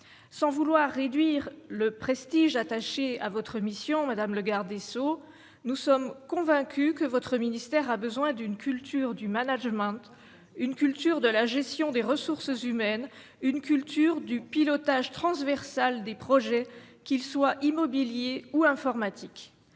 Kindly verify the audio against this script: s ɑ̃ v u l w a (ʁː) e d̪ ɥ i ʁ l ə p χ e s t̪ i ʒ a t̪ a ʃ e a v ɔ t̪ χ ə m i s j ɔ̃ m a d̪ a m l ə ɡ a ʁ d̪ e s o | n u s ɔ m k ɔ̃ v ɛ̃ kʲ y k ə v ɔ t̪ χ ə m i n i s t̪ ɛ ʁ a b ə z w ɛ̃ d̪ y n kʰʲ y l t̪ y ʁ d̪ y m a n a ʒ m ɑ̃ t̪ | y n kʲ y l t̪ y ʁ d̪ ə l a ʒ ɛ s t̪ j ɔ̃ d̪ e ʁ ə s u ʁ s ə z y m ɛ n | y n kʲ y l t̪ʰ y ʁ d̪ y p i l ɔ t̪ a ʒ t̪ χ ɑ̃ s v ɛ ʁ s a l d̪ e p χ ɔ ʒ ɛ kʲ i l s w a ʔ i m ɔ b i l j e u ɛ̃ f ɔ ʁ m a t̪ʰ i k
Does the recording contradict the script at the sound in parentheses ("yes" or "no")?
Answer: no